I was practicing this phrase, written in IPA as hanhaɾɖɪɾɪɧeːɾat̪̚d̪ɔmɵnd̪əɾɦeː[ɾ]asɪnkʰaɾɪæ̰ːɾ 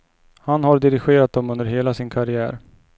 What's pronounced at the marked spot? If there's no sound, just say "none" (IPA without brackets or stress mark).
l